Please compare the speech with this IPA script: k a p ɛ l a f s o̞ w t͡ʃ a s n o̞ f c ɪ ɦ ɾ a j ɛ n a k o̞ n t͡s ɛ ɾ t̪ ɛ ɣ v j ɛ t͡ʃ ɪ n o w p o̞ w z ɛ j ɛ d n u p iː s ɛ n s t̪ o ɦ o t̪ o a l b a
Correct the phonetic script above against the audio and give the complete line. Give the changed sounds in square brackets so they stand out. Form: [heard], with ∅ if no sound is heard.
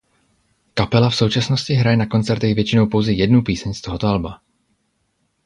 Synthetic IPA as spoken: k a p ɛ l a f s o̞ w t͡ʃ a s n o̞ [s] c ɪ ɦ ɾ a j ɛ n a k o̞ n t͡s ɛ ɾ t̪ ɛ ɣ v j ɛ t͡ʃ ɪ n o w p o̞ w z ɛ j ɛ d n u p iː s ɛ [ɲ] s t̪ o ɦ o t̪ o a l b a